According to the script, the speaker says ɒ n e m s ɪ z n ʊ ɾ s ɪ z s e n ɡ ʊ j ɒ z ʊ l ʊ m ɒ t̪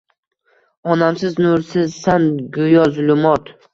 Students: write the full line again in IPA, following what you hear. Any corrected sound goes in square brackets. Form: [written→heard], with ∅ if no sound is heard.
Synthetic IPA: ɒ n [e→a] m s ɪ z n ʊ ɾ s ɪ z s [e→a] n ɡ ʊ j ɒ z ʊ l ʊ m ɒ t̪